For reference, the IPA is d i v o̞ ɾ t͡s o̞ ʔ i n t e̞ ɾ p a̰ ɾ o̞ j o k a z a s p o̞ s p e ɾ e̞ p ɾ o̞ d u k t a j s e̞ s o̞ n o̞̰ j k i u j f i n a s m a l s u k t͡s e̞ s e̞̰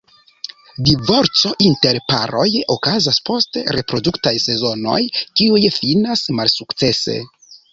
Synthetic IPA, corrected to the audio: d i v o̞ ɾ t͡s o̞ ʔ i n t e̞ ɾ p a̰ ɾ o̞ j o k a z a s p o̞ s t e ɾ e̞ p ɾ o̞ d u k t a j s e̞ z o̞ n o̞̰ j k i u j f i n a s m a l s u k t͡s e̞ s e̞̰